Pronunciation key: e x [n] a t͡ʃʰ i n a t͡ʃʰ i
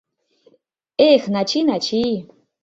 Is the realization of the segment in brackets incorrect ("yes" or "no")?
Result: no